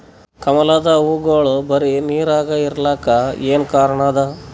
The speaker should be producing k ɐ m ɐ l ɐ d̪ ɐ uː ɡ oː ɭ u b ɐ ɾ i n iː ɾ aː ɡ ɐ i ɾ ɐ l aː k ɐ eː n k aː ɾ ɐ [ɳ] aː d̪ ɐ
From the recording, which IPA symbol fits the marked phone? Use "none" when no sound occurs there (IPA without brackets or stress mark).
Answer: ɳ